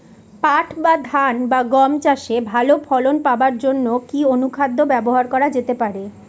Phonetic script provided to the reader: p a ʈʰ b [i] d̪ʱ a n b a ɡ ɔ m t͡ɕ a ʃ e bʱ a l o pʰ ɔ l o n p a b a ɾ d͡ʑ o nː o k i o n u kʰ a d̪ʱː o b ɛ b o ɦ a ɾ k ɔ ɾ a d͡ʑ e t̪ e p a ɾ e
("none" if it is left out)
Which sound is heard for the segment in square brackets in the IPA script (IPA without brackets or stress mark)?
a